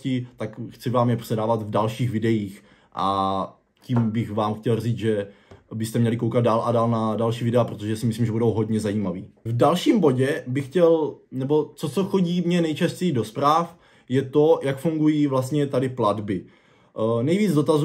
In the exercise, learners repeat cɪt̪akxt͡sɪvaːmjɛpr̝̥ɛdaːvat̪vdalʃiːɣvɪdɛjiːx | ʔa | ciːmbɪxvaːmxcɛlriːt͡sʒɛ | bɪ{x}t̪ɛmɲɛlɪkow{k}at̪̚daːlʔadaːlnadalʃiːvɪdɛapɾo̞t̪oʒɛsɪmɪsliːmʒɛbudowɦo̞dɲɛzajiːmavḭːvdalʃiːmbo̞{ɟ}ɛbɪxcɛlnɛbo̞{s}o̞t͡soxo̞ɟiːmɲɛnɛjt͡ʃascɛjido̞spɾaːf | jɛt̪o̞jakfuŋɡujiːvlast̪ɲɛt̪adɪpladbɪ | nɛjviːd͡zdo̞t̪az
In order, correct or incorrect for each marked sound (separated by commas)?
incorrect, correct, correct, incorrect